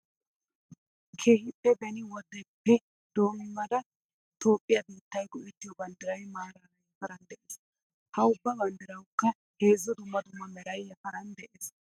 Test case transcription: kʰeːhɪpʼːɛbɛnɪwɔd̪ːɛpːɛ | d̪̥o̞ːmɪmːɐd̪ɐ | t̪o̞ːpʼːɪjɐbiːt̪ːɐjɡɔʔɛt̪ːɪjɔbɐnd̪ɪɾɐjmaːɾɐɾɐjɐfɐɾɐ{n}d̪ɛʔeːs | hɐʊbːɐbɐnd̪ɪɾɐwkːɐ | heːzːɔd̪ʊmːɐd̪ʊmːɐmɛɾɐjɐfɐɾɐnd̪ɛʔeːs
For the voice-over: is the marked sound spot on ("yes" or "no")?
yes